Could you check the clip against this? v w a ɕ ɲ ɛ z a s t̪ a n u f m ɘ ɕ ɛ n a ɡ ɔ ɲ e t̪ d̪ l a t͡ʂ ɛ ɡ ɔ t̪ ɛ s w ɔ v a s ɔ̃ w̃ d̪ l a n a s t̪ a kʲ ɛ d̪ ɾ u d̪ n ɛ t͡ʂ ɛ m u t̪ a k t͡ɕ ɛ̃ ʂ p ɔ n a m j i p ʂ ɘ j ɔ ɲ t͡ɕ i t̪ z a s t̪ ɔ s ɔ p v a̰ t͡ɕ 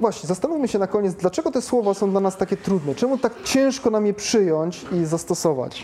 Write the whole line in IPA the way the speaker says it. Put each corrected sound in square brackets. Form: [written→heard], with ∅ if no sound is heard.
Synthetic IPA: v w a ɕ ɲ ɛ z a s t̪ a n u f m ɘ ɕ ɛ n a [ɡ→k] ɔ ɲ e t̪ d̪ l a t͡ʂ ɛ ɡ ɔ t̪ ɛ s w ɔ v a s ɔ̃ w̃ d̪ l a n a s t̪ a kʲ ɛ [d̪→t̪] ɾ u d̪ n ɛ t͡ʂ ɛ m u t̪ a k t͡ɕ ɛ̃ ʂ [p→k] ɔ n a m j [i→ɛ] p ʂ ɘ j ɔ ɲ t͡ɕ i [t̪→∅] z a s t̪ ɔ s ɔ [p→∅] v a̰ t͡ɕ